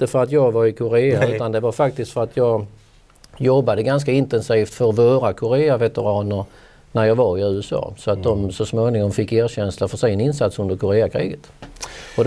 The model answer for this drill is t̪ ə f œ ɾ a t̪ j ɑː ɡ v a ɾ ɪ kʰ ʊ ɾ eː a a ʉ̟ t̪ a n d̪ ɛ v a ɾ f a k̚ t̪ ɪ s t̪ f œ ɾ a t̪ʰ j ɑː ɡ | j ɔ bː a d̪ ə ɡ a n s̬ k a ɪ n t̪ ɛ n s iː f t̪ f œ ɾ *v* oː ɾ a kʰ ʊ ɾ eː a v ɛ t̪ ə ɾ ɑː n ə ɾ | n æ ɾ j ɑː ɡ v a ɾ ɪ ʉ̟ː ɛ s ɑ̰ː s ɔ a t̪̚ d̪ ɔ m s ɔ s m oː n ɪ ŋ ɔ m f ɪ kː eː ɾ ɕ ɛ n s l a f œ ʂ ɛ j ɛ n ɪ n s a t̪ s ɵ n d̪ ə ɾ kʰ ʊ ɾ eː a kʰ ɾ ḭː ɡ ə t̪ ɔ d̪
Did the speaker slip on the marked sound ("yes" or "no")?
no